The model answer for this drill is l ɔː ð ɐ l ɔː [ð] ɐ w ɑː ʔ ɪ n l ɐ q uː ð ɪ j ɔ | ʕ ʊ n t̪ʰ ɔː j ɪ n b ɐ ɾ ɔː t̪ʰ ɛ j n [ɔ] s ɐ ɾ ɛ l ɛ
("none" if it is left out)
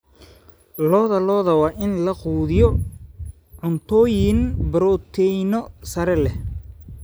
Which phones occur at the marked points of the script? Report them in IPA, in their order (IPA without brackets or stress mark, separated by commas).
ð, ɔ